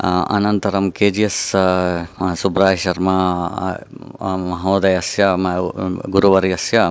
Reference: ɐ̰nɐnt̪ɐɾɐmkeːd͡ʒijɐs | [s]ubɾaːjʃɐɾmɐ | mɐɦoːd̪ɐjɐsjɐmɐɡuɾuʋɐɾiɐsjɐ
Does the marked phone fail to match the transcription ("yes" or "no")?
no